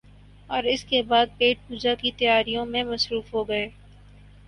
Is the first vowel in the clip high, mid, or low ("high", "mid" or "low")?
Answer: mid